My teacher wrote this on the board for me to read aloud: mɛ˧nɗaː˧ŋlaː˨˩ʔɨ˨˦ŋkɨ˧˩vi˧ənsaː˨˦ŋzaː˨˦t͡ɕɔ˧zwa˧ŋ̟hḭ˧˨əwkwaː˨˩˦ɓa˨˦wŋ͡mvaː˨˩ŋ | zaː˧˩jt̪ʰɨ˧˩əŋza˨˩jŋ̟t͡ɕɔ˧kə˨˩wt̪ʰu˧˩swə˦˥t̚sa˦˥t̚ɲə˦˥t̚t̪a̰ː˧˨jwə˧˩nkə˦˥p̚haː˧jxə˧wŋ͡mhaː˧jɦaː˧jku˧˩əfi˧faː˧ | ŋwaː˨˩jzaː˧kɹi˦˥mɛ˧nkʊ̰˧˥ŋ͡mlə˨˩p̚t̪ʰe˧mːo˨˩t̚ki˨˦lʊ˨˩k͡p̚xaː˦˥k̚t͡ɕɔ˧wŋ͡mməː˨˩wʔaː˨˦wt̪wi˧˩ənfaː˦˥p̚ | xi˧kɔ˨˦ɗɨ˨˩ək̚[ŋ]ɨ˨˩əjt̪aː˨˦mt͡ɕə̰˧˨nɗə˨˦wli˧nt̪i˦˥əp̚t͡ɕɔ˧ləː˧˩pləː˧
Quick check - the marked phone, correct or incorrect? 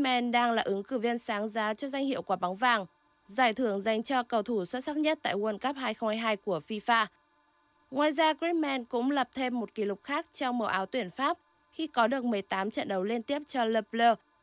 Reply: incorrect